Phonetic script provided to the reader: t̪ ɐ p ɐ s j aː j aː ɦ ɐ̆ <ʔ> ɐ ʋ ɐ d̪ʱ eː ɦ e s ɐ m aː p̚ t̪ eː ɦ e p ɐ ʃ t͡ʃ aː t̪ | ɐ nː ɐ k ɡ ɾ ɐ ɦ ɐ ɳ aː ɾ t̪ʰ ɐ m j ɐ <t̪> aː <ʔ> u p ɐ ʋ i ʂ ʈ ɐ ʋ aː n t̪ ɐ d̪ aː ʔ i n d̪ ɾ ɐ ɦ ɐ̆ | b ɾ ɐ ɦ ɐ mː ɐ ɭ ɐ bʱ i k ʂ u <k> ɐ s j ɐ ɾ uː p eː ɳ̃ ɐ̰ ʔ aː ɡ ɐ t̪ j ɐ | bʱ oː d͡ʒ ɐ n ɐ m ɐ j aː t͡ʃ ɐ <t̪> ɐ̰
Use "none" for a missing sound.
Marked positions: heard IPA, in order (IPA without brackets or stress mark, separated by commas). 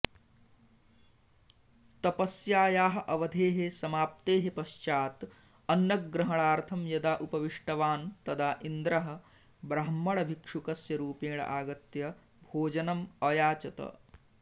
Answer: ʔ, d̪, ʔ, k, t̪